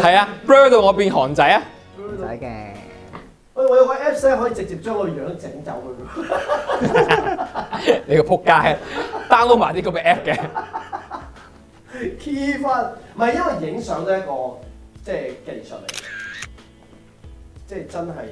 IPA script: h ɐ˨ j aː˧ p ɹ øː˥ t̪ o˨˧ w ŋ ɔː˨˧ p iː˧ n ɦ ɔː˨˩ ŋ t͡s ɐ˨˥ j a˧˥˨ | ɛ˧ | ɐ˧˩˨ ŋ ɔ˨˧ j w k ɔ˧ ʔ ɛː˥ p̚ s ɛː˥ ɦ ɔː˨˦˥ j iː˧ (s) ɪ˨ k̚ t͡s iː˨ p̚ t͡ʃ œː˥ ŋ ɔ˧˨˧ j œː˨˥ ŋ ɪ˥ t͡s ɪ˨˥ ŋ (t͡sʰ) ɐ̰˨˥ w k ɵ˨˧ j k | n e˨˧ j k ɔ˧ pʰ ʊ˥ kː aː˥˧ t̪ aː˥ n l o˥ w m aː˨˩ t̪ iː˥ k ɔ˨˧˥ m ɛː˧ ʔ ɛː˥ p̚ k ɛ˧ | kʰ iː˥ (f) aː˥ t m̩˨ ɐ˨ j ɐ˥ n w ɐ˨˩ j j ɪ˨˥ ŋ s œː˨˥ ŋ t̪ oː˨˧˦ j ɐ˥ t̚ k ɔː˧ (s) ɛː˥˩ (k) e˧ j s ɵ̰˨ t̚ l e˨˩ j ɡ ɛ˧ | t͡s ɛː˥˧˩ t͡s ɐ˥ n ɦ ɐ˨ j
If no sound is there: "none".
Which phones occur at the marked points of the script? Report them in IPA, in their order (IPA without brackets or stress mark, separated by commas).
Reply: t͡s, t͡s, f, t͡s, k